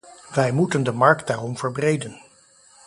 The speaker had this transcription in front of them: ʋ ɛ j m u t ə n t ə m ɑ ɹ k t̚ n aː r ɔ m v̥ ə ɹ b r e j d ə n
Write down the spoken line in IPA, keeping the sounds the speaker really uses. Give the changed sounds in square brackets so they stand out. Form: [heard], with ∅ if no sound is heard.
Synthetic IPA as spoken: ʋ ɛ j m u t ə n [d] ə m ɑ ɹ k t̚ [d] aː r ɔ m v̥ ə ɹ b r e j d ə n